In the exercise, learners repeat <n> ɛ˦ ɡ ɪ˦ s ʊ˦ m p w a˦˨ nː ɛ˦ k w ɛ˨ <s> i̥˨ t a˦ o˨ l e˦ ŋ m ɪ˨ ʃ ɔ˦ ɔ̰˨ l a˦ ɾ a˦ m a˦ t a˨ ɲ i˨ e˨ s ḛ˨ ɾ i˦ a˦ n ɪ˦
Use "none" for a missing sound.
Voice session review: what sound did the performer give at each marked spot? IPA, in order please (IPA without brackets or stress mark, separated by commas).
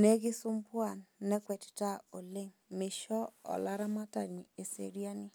n, t